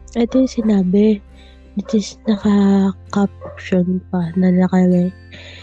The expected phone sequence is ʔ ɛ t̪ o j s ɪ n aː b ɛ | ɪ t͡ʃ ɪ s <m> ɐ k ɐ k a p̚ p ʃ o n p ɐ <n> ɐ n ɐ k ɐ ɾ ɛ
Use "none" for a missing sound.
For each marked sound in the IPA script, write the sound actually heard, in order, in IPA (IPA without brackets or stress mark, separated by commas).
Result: n, n